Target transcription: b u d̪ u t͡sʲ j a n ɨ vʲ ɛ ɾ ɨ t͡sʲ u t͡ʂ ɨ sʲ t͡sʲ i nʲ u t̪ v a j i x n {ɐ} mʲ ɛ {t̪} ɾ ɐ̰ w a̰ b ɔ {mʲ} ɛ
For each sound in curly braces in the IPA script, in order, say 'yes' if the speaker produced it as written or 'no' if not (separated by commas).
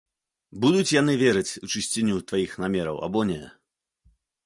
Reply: no, no, no